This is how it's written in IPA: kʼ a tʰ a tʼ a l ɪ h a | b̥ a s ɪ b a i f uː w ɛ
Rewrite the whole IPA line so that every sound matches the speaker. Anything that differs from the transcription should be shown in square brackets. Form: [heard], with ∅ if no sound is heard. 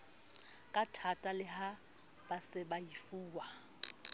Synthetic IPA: kʼ a tʰ a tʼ a l ɪ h a | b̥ a s ɪ b a i f uː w [a]